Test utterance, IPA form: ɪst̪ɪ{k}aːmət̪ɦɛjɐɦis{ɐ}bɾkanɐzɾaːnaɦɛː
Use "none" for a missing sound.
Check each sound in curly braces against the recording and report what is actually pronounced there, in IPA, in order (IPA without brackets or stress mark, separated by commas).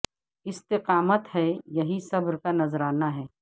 q, ɐ